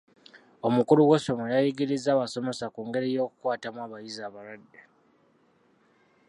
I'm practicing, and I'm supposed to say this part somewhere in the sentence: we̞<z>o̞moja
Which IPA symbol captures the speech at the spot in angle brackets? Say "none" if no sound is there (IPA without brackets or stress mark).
s